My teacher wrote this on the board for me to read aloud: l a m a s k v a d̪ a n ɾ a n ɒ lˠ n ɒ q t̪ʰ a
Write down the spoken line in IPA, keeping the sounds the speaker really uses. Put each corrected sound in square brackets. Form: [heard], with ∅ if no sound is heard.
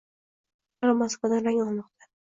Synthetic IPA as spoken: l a m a s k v a d̪ a n ɾ a [ŋ] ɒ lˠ [m] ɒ q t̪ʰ a